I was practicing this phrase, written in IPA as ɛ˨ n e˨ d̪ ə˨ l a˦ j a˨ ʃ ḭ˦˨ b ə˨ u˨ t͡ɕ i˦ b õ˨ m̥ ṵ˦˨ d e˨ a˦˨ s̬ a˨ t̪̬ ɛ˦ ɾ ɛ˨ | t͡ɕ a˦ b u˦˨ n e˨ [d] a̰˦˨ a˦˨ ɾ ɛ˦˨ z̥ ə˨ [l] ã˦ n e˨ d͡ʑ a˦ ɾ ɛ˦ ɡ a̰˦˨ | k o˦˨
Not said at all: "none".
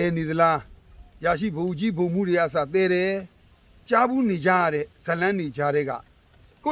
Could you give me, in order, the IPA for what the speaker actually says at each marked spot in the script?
d͡ʑ, l

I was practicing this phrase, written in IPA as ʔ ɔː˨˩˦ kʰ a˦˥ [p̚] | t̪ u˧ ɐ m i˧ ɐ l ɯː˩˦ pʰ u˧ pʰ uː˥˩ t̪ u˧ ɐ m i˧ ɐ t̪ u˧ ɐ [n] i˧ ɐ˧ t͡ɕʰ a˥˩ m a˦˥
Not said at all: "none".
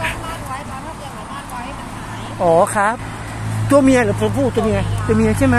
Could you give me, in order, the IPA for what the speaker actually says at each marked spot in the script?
p̚, m

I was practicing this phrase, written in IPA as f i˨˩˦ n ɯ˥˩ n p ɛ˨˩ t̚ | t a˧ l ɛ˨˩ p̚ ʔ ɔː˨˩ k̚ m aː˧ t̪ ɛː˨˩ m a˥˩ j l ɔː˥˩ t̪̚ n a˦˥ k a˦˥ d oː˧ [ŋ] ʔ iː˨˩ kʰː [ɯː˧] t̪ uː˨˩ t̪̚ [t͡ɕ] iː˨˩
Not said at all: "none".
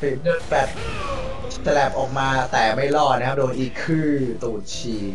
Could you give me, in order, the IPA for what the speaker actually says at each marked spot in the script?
n, ɯː˥˩, t͡ɕʰ

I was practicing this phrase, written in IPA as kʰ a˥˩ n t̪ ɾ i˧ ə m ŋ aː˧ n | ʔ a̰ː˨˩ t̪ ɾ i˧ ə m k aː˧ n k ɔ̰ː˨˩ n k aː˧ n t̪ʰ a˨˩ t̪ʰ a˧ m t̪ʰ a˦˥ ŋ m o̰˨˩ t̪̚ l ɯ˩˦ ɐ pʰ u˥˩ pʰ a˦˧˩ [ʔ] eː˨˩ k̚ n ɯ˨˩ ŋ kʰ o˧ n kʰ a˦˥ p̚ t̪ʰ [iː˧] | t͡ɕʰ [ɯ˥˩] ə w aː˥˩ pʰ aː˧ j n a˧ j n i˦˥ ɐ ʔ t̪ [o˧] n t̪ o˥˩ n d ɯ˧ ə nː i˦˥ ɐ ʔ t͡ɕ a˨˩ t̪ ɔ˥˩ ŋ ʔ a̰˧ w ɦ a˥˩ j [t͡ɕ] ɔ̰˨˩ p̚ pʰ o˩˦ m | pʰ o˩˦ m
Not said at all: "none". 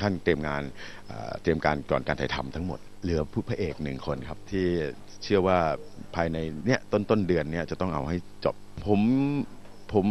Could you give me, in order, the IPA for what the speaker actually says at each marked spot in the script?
ʔ, iː˥˩, ɯ˥˩, o˥˩, t͡ɕ

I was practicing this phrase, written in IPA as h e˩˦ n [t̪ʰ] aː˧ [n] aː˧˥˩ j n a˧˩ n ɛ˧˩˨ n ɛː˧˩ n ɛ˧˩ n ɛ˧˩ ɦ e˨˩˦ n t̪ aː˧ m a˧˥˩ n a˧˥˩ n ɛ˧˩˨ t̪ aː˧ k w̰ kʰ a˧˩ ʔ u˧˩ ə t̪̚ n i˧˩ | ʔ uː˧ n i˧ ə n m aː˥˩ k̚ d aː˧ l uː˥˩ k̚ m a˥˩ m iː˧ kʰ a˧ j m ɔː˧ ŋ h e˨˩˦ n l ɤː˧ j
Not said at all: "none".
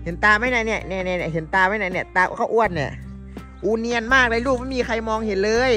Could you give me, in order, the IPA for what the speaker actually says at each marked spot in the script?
t̪, m

